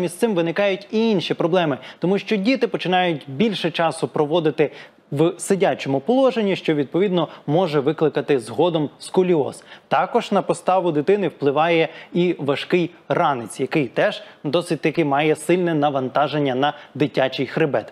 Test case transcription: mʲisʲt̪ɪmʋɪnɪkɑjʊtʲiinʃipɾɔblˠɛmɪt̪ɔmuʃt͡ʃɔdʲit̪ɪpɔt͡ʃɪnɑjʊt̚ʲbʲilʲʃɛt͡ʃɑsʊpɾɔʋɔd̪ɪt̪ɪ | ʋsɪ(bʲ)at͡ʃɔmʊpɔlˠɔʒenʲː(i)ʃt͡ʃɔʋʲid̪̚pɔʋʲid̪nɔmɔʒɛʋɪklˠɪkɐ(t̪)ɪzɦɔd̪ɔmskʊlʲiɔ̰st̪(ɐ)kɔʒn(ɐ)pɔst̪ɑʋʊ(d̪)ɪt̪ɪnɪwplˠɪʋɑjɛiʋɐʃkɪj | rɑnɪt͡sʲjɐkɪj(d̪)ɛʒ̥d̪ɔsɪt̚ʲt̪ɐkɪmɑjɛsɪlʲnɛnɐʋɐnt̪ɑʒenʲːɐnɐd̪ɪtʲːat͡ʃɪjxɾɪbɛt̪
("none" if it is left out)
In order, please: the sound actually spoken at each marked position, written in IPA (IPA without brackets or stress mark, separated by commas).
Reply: dʲ, i, t̪, ɑ, ɐ, d̪, t̪